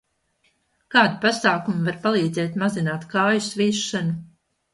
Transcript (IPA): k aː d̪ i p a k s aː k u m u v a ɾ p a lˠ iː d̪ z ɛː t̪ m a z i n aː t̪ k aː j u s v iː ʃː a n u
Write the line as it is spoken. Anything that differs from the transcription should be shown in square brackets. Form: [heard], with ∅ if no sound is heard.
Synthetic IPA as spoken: k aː d̪ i p a [∅] s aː k u m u v a ɾ p a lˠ iː d̪ z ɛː t̪ m a z i n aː t̪ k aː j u s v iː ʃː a n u